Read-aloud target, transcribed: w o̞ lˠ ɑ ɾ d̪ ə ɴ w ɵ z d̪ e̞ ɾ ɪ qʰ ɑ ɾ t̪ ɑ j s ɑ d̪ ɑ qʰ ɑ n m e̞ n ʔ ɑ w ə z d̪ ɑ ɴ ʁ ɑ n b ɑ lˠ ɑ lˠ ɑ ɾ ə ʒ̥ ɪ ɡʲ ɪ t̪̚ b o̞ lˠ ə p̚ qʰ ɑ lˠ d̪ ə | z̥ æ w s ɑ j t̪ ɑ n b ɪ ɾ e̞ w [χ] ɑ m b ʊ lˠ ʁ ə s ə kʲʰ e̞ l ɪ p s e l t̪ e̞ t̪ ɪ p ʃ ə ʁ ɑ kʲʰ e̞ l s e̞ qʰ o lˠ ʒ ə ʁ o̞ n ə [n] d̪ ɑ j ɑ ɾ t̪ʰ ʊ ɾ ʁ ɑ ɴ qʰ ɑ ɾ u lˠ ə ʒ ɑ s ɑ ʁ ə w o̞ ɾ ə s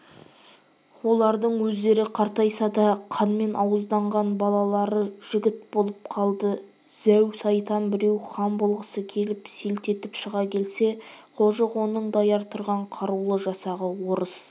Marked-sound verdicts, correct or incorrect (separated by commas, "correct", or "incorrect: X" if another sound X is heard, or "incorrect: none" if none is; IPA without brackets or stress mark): correct, incorrect: ɴ